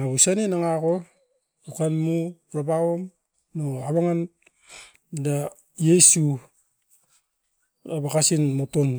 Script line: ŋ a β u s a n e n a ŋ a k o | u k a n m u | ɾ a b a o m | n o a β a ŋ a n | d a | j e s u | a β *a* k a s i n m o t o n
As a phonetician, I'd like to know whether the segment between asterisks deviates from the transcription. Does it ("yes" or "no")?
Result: no